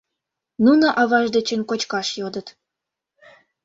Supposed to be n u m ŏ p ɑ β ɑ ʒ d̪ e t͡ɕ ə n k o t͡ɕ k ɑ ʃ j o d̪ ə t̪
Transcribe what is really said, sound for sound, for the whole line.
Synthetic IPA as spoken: n u n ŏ ʔ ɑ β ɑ ʒ d̪ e t͡ɕ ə n k o t͡ɕ k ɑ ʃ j o d̪ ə t̪